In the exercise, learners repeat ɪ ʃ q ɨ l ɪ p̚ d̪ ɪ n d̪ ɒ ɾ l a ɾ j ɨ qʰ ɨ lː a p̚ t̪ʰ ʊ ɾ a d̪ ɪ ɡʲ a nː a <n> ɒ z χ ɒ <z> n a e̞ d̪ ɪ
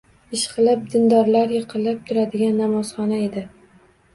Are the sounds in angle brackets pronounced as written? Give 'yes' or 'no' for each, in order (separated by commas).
no, no